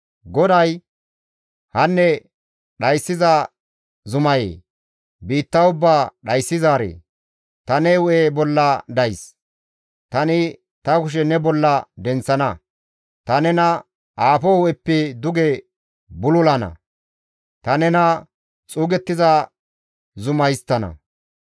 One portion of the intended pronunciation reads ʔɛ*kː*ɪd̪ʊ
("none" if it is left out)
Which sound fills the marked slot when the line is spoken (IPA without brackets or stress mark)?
pː